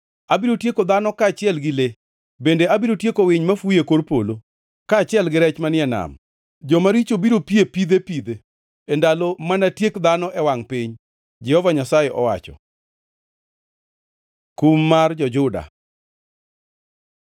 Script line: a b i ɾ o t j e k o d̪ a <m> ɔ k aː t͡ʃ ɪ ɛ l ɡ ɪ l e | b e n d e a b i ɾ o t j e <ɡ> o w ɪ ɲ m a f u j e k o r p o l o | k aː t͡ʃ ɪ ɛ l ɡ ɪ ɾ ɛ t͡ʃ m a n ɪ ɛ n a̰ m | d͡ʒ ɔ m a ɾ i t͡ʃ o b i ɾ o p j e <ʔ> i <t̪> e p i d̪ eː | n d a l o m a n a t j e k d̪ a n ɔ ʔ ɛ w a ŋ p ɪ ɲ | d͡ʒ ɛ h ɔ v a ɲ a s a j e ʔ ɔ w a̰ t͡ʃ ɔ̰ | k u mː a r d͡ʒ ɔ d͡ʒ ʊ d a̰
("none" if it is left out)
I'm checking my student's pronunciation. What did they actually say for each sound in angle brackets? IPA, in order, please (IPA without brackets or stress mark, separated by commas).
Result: n, k, p, d̪